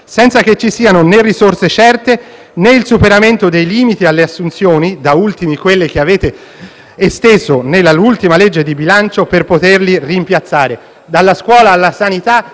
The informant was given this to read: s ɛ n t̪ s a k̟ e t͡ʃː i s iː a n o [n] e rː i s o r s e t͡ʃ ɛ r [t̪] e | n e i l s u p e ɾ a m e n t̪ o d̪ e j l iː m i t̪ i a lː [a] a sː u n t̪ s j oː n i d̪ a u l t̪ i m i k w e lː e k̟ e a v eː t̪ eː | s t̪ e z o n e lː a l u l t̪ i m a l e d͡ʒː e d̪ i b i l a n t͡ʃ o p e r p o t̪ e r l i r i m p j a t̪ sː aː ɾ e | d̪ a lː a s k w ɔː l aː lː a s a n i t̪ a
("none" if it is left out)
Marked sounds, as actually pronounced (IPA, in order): n, t̪, e

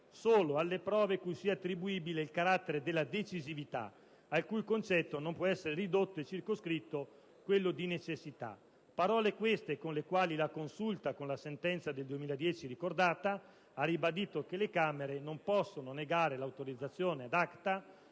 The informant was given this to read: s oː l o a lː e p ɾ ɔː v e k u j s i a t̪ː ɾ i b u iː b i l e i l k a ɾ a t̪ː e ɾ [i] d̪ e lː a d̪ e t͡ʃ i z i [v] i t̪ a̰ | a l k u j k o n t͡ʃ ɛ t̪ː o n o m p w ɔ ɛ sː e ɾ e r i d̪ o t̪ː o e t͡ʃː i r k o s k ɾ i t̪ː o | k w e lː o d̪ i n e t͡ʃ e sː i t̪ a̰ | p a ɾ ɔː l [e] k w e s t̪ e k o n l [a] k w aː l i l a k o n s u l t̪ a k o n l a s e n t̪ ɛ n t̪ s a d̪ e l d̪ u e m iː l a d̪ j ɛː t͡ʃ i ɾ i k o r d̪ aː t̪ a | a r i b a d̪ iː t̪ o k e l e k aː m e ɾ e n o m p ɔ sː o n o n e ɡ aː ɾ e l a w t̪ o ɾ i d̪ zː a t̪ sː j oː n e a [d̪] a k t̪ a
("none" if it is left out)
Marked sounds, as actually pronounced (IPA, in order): e, v, e, e, d̪

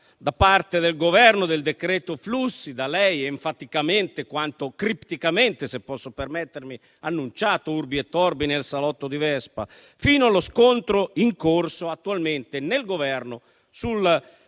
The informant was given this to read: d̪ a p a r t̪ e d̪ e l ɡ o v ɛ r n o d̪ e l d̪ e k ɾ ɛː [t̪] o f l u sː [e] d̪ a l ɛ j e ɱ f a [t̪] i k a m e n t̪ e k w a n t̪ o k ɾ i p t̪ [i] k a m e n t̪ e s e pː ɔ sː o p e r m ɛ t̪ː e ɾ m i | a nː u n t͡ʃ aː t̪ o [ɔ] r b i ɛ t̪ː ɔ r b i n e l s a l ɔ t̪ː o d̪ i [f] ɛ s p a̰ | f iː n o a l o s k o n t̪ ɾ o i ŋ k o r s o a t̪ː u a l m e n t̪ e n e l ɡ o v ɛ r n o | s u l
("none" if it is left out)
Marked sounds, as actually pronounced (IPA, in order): t̪, i, t̪, i, u, v

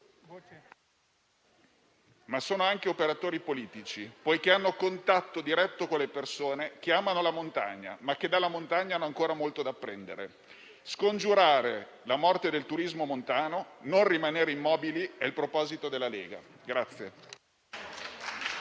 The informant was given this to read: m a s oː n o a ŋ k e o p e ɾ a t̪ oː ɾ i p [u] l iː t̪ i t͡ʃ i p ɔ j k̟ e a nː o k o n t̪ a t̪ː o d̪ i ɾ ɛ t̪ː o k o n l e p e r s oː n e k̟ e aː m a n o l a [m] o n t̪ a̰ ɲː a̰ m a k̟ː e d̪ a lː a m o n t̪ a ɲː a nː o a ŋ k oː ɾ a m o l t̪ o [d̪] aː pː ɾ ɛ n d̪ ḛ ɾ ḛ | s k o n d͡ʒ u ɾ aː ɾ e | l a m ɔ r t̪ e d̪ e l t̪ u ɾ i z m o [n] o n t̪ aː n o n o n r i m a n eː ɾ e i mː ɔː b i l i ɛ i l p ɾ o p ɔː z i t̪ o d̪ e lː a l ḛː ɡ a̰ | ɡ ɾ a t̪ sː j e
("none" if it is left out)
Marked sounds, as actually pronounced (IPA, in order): o, m, d̪, m

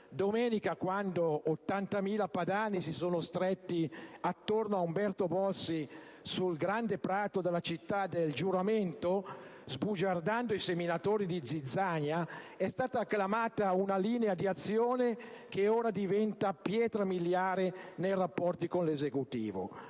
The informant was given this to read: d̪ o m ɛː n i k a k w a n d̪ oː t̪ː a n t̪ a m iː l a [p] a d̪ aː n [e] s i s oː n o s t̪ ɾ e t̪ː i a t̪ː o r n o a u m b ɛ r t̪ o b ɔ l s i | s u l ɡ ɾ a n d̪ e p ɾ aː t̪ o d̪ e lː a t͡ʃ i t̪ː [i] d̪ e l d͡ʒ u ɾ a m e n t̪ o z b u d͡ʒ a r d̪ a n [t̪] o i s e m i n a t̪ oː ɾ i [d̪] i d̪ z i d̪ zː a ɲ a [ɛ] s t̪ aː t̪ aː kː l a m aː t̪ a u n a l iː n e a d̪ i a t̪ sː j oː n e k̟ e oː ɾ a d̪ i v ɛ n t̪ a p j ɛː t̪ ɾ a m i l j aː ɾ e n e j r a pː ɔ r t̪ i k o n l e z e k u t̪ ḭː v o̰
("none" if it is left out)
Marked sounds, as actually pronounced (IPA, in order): p, i, a, d̪, d̪, ɛ

